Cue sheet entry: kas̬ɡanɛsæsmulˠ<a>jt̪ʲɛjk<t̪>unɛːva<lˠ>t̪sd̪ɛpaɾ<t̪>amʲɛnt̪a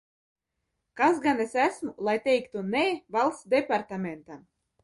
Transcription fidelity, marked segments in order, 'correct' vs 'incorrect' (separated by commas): correct, correct, correct, correct